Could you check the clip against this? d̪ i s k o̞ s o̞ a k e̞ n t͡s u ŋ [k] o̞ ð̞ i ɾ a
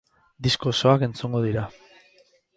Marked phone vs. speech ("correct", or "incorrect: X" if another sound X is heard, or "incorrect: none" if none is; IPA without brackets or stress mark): incorrect: ɡ